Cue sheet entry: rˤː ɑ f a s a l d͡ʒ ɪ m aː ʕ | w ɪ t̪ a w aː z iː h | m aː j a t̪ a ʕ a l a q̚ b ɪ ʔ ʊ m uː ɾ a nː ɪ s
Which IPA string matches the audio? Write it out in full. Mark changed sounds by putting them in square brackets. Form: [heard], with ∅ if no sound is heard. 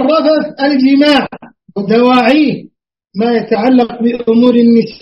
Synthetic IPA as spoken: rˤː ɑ f a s a l d͡ʒ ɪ m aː ʕ | w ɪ [d̪] a w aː [ʕ] iː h | m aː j a t̪ a ʕ a [lː] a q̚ b ɪ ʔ ʊ m uː ɾ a nː ɪ s